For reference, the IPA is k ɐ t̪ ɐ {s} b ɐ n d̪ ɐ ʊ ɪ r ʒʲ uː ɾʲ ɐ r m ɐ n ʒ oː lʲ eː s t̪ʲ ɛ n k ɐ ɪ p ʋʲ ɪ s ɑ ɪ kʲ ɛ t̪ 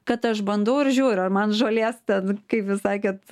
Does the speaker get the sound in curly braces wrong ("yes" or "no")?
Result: yes